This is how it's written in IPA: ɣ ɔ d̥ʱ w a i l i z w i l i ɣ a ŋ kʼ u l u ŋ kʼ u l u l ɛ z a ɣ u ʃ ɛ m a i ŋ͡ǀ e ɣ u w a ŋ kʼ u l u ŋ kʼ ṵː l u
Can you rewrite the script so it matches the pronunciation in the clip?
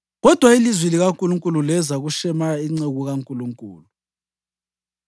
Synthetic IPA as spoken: ɣ ɔ d̥ʱ w a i l i z w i l i ɣ a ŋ kʼ u l u ŋ kʼ u l u l ɛ z a ɣ u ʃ ɛ m a i ŋ͡ǀ e ɣ u ɣ a ŋ kʼ u l u ŋ kʼ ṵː l u